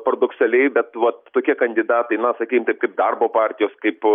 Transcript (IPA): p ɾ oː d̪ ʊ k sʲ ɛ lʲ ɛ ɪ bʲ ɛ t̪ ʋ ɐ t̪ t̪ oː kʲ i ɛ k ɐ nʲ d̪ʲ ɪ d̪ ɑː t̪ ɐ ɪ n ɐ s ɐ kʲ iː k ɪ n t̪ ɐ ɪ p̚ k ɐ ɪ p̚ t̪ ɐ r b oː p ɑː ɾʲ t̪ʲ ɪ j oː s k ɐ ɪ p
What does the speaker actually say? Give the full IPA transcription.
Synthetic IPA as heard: p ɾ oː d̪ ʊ k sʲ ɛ lʲ ɛ ɪ bʲ ɛ t̪ ʋ ɐ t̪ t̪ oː kʲ i ɛ k ɐ nʲ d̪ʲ ɪ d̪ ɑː t̪ ɐ ɪ n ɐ s ɐ kʲ iː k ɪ m t̪ ɐ ɪ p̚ k ɐ ɪ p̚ d̪ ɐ r b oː p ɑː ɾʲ t̪ʲ ɪ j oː s k ɐ ɪ p